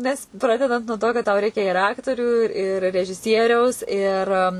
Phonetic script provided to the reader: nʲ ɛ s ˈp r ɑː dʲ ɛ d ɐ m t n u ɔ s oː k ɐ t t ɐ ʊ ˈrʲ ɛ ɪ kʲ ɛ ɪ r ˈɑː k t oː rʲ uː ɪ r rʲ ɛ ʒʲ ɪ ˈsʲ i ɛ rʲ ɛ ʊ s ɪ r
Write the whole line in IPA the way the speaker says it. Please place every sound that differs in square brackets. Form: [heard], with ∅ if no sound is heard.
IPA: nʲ ɛ s ˈp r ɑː dʲ ɛ d ɐ [n] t n u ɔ [t] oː k ɐ t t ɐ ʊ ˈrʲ ɛ ɪ kʲ ɛ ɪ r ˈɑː k t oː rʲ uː ɪ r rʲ ɛ ʒʲ ɪ ˈsʲ i ɛ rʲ ɛ ʊ s ɪ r